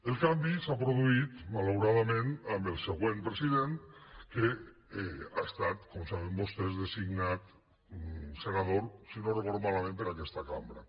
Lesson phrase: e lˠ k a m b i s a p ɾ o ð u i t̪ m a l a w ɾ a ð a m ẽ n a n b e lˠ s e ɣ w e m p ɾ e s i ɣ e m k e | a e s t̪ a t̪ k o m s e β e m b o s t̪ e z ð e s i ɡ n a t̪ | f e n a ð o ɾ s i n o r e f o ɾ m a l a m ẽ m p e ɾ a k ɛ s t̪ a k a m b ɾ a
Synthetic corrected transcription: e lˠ k a m b i s a p ɾ o ð u i t̪ m a l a w ɾ a ð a m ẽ n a m b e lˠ s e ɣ w e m p ɾ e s i ð e n k e | a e s t̪ a t̪ k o m s a β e m b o s t̪ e z ð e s i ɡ n a t̪ | s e n a ð o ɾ s i n o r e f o ɾ m a l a m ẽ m p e ɾ a k ɛ s t̪ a k a m b ɾ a